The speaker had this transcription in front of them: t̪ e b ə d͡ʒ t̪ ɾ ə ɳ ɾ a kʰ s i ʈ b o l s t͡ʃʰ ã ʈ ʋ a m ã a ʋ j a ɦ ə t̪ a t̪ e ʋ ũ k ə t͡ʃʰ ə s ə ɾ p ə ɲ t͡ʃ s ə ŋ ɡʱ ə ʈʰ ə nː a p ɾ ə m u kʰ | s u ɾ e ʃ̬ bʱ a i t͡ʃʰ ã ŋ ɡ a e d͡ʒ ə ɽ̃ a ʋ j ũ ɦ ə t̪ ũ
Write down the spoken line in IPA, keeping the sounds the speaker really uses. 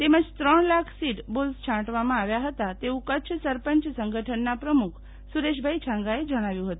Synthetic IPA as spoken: t̪ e m ə d͡ʒ t̪ ɾ ə ɳ l a kʰ s i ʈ b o l s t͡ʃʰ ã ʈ ʋ a m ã a ʋ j a ɦ ə t̪ a t̪ e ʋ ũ k ə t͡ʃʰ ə s ə ɾ p ə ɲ t͡ʃ s ə ŋ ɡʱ ə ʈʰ ə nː a p ɾ ə m u kʰ | s u ɾ e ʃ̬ bʱ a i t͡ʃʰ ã ŋ ɡ a e d͡ʒ ə ɽ̃ a ʋ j ũ ɦ ə t̪ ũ